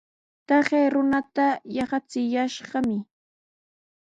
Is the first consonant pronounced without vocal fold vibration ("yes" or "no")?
yes